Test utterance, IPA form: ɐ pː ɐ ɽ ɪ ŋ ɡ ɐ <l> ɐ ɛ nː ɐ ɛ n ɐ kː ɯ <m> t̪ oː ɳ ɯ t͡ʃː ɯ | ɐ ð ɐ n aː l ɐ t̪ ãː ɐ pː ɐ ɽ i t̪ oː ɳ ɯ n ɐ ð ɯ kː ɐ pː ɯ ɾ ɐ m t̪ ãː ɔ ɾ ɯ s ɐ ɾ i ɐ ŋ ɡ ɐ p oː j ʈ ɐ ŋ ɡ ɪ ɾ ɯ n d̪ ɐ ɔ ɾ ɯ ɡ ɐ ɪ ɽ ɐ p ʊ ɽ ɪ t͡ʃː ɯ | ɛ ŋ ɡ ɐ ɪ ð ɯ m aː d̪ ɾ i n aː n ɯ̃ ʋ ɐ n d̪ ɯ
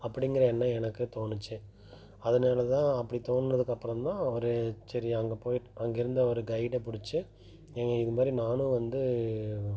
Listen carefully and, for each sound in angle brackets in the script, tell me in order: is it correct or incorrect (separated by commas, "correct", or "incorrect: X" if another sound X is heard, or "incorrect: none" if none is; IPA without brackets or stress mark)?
incorrect: ɾ, incorrect: none